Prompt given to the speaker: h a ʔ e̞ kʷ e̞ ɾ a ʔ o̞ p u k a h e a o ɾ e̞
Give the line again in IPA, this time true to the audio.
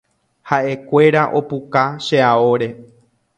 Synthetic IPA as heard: h a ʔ e̞ kʷ e̞ ɾ a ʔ o̞ p u k a ʃ e a o ɾ e̞